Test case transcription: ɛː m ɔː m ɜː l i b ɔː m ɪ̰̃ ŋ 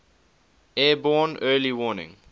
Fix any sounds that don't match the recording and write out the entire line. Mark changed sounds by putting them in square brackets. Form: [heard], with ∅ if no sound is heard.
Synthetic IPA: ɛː [b] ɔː [n] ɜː l i [w] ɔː [n] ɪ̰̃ ŋ